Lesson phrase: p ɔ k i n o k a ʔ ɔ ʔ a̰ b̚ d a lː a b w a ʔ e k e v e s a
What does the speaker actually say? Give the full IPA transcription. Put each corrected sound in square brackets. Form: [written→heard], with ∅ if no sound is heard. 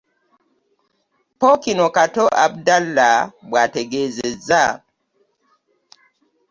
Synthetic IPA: p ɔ k i n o k a [ʔ→t] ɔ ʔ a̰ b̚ d a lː a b w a [ʔ→t] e [k→ɡ] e [v→z] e [s→z] a